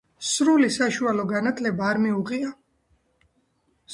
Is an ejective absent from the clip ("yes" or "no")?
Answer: yes